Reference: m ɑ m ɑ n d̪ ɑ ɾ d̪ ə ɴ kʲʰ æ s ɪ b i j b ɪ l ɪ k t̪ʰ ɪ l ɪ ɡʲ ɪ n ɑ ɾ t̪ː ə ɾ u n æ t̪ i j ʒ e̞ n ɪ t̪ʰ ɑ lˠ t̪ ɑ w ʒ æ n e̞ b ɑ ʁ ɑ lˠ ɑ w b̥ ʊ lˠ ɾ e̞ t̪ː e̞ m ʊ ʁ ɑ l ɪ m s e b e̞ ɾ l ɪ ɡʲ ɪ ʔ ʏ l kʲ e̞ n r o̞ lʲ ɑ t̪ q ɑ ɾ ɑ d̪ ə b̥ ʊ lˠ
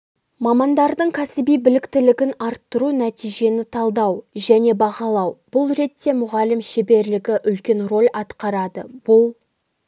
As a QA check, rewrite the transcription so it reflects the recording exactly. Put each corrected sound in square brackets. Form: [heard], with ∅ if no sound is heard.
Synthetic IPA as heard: m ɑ m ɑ n d̪ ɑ ɾ d̪ ə ɴ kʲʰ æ s ɪ b i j b ɪ l ɪ k [t̪] ɪ l ɪ ɡʲ ɪ n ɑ ɾ t̪ː ə ɾ u n æ t̪ i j ʒ e̞ n ɪ t̪ʰ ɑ lˠ [d̪] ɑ w ʒ æ n e̞ b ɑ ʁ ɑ lˠ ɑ w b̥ ʊ lˠ ɾ e̞ t̪ː e̞ m ʊ ʁ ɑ l ɪ m [ʃ] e b e̞ ɾ l ɪ ɡʲ ɪ ʔ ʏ l kʲ e̞ n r o̞ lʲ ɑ t̪ q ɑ ɾ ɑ d̪ ə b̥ ʊ lˠ